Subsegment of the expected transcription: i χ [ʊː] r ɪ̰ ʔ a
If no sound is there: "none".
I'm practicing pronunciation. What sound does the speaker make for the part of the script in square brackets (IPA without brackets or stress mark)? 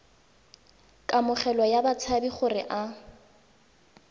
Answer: ʊ